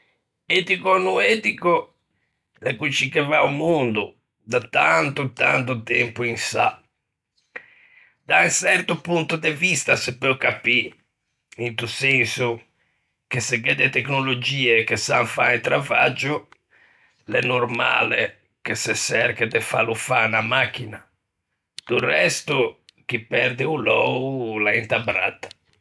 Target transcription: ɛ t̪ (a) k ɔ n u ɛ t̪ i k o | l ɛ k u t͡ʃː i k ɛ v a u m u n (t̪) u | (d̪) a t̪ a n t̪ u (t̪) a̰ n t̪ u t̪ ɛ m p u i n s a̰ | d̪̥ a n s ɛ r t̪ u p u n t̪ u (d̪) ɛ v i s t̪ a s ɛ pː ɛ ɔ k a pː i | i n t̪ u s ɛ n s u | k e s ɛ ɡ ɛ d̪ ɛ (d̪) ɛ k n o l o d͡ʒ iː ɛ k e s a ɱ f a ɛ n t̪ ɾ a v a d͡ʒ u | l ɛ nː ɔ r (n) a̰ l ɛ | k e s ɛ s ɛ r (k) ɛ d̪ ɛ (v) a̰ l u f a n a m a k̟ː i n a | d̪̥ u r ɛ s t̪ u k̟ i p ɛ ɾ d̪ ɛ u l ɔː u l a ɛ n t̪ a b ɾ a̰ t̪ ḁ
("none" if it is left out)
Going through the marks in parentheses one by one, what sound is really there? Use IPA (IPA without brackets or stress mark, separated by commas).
i, d̪, d̪, t̪, d̪, t̪, m, k, f